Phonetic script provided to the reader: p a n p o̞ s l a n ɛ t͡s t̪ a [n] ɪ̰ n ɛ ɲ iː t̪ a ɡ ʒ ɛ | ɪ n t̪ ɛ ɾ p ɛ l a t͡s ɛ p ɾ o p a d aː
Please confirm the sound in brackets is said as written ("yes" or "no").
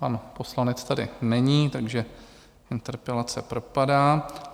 no